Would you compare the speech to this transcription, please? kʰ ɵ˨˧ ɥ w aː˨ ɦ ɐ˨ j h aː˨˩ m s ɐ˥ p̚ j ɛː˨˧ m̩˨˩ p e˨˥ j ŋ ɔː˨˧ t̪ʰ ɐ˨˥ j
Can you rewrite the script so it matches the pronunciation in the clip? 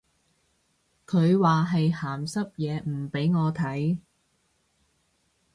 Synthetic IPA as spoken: kʰ ɵ˨˧ ɥ w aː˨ ɦ ɐ˨ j h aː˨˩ m s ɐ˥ p̚ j ɛː˨˧ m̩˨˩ p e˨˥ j ŋ ɔː˨˧ t̪ʰ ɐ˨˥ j